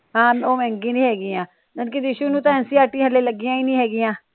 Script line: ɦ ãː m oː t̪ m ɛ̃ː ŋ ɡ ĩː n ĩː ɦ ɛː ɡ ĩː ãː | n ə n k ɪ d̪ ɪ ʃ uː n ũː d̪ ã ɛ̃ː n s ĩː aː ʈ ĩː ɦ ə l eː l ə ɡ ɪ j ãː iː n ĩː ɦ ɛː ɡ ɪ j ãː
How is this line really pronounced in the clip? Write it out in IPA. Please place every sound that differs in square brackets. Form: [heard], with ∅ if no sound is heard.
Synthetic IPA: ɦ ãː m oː [∅] m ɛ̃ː ŋ ɡ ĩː n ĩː ɦ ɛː ɡ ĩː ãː | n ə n k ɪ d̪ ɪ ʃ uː n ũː [t̪] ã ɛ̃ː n s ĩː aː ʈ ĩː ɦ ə l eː l ə ɡ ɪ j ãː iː n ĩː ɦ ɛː ɡ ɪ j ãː